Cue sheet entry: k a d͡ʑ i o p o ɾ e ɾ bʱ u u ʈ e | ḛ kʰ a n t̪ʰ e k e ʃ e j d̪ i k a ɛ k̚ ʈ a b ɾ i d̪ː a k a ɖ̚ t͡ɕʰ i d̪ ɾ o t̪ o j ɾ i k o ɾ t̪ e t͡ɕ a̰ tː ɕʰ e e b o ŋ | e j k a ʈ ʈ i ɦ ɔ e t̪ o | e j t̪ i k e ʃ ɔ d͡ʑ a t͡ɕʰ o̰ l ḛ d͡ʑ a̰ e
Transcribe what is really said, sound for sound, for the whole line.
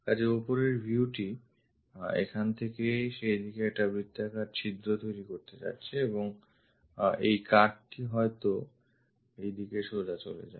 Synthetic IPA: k a d͡ʑ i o p o ɾ e ɾ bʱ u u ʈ i | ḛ kʰ a n t̪ʰ e k e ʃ e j d̪ i k e ɛ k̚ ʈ a b ɾ i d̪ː a k a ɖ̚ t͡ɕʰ i d̪ ɾ o t̪ o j ɾ i k o ɾ t̪ e t͡ɕ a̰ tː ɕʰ e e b o ŋ | e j k a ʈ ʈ i ɦ ɔ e t̪ o | e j d̪ i k e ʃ o d͡ʑ a t͡ɕ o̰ l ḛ d͡ʑ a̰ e